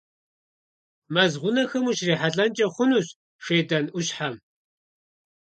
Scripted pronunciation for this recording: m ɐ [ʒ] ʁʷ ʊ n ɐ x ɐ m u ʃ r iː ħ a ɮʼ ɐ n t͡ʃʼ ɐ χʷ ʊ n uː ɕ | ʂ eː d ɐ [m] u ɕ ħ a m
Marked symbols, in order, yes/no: no, no

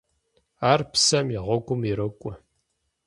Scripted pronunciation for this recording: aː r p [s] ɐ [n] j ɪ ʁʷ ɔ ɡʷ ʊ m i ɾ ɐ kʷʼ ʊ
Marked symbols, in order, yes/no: yes, no

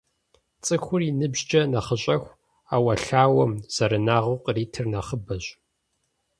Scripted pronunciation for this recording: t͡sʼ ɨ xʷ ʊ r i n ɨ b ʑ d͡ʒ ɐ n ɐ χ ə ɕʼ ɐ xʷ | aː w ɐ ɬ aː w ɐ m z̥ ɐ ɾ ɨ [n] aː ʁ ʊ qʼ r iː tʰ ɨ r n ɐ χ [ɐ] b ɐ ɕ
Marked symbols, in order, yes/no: yes, no

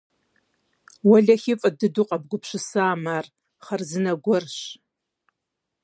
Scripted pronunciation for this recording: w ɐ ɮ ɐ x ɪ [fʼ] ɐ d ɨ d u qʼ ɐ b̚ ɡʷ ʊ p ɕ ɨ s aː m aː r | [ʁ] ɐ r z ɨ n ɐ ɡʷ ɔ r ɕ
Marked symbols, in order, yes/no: yes, no

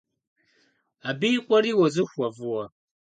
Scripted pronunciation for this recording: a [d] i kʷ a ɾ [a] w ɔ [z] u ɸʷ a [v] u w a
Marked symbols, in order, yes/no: no, no, yes, yes

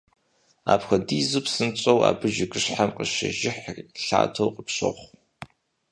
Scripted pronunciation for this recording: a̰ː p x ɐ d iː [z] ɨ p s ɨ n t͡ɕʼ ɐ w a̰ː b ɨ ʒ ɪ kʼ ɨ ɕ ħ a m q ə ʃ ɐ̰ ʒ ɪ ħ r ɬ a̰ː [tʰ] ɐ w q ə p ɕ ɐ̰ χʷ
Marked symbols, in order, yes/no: yes, yes

